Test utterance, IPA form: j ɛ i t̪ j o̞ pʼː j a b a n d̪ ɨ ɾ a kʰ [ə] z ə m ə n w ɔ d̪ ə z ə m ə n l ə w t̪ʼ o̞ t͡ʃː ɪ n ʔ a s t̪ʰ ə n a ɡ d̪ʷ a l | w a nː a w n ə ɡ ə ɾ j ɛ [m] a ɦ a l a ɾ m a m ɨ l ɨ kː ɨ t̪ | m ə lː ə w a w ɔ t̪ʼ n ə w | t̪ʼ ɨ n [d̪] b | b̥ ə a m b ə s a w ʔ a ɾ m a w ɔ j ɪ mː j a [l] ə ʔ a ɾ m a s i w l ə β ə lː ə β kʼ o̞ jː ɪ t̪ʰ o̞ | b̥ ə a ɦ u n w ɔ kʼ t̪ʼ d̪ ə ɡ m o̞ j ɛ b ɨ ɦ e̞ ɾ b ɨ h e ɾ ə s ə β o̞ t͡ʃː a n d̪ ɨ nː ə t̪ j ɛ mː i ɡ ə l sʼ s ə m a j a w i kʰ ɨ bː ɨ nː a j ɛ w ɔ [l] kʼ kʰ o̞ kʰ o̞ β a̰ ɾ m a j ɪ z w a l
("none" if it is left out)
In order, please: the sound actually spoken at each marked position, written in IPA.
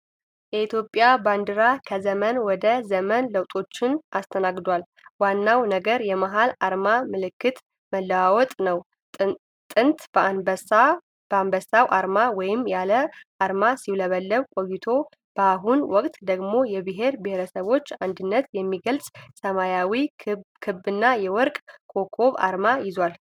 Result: ə, m, t̪, l, ɾ

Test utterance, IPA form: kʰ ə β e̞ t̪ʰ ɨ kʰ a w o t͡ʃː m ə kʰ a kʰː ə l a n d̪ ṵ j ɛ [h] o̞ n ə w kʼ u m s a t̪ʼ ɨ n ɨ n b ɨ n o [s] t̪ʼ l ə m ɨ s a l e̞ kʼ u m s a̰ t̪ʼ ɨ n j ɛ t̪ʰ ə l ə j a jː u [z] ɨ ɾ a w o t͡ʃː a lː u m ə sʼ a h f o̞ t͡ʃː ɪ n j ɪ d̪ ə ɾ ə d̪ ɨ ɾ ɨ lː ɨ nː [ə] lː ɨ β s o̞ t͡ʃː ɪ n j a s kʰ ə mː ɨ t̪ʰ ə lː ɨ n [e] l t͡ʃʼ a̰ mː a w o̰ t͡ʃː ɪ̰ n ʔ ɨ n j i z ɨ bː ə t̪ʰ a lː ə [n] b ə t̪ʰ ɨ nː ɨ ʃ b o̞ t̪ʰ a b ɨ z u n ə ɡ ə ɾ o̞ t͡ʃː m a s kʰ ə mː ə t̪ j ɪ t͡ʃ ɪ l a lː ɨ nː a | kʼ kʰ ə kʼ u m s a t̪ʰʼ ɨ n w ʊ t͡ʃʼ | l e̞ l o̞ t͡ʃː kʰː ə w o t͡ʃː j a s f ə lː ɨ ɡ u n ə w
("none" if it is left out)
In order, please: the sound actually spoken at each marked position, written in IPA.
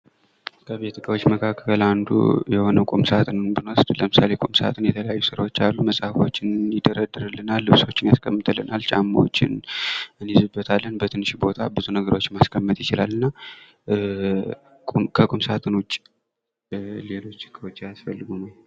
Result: h, s, s, a, a, n

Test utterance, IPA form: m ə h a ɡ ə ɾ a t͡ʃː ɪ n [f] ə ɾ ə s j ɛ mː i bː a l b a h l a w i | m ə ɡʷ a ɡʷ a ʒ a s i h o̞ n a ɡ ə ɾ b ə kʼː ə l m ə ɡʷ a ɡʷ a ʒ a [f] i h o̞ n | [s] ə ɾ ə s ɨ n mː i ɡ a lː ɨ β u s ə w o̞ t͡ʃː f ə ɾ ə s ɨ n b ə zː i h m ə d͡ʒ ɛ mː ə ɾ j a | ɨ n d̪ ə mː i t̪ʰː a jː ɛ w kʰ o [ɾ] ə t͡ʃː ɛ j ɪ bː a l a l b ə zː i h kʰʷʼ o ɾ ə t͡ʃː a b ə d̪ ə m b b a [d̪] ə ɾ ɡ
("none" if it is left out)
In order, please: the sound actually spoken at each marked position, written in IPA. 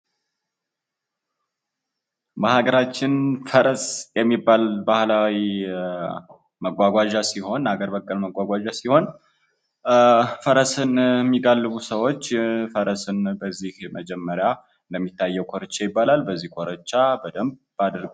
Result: f, s, f, ɾ, d̪

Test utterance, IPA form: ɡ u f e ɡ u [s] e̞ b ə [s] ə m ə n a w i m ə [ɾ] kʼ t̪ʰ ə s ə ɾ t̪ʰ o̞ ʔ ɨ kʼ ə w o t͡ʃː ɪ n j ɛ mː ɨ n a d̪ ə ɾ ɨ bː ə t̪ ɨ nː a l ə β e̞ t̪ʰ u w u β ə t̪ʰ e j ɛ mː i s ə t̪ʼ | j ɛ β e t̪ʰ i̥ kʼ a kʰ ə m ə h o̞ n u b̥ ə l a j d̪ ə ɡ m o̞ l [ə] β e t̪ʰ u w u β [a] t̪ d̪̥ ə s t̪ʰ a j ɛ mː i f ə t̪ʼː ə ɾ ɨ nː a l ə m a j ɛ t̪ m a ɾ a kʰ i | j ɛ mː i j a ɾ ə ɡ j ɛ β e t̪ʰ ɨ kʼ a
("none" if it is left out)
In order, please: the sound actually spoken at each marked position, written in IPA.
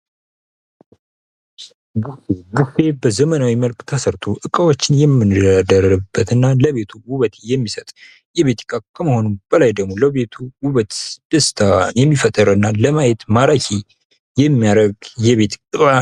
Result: f, z, l, ə, ə

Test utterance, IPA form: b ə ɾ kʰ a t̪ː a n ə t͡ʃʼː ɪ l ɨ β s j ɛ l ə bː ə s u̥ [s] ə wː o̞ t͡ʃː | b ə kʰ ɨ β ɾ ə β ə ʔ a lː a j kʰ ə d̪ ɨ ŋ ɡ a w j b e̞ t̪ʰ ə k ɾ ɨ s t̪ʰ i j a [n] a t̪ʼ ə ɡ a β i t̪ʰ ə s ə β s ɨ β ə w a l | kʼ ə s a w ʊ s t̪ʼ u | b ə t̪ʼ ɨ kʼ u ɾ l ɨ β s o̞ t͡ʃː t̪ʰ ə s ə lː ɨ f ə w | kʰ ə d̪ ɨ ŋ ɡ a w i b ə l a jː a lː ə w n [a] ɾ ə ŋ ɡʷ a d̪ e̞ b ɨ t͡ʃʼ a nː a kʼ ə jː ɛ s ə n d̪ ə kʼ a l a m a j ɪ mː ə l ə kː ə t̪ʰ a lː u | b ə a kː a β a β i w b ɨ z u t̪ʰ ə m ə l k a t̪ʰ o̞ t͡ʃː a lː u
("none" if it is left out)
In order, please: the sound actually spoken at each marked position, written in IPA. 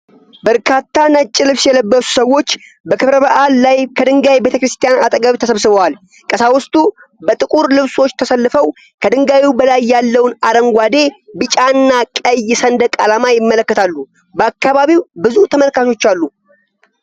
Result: s, n, a

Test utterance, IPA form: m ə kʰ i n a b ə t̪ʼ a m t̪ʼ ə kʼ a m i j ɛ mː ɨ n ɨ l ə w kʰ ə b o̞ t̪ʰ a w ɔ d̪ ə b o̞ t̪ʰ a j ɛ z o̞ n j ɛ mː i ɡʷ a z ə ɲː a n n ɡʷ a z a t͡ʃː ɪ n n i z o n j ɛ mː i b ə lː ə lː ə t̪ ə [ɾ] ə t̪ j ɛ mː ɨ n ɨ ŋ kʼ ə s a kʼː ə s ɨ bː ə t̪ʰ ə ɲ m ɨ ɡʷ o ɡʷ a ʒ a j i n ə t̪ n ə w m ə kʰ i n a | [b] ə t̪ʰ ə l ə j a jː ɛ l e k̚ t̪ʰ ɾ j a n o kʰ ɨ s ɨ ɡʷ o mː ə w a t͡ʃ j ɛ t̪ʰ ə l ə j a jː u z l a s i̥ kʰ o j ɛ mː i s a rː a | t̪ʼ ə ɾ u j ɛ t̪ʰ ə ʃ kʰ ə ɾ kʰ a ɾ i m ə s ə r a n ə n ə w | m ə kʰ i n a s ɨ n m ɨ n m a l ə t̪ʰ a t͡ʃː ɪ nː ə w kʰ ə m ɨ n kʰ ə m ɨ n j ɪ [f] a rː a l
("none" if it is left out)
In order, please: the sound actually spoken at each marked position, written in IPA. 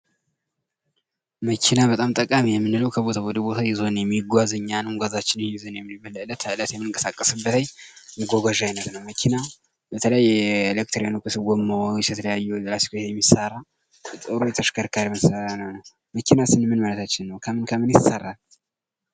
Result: l, b, s

